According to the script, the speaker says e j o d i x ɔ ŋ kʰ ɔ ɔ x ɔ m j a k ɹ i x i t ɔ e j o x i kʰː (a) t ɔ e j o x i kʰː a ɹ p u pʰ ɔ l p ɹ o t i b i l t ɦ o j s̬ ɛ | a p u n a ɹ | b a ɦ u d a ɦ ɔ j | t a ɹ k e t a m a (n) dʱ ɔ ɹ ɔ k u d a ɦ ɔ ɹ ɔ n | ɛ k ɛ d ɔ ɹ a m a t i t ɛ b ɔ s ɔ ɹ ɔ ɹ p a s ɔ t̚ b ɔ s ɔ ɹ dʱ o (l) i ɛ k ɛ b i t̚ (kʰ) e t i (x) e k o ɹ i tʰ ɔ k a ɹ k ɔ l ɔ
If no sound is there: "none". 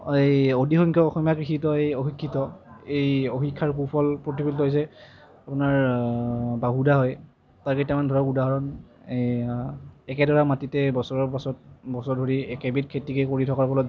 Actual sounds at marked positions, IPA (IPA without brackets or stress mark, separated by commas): i, n, ɹ, kʰ, k